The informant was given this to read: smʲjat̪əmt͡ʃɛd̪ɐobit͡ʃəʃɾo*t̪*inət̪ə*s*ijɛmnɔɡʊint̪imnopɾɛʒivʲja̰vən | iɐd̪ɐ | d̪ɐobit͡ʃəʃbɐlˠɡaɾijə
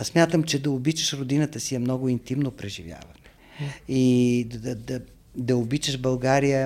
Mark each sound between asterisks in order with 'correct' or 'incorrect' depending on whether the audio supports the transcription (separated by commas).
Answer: incorrect, correct